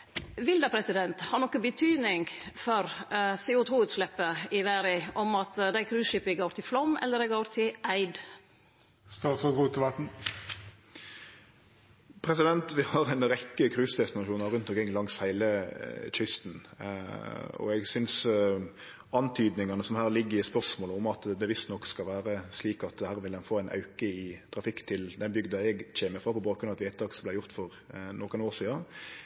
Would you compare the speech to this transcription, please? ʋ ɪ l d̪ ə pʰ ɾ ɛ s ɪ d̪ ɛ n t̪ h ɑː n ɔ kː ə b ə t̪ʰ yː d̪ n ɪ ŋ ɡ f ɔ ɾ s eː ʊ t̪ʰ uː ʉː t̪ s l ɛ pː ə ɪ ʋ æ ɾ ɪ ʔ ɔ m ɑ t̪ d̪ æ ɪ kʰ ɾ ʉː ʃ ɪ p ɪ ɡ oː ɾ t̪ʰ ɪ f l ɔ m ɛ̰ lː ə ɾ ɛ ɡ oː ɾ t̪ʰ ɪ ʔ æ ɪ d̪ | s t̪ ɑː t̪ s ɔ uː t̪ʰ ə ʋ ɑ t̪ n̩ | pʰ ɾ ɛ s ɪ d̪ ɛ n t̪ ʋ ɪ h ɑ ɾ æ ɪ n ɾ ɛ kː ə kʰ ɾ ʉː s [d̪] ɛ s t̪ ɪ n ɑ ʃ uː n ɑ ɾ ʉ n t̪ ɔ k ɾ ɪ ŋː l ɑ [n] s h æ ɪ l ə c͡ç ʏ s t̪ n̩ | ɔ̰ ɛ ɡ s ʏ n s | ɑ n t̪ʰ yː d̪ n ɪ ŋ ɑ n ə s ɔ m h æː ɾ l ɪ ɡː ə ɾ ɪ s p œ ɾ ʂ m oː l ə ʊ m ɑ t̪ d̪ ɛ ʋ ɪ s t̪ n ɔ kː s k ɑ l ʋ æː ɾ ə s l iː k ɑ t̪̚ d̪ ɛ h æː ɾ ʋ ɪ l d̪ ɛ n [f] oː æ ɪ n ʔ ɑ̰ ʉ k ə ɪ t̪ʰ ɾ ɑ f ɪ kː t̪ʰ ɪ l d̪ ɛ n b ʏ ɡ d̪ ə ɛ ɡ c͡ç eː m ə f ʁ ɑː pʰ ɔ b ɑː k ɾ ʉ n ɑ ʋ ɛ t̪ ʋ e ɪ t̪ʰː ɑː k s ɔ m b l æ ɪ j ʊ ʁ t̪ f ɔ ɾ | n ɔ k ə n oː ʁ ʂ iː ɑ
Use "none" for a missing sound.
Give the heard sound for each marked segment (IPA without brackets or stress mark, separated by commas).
d̪, ŋ, f